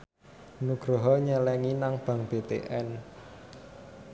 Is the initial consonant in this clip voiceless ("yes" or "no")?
no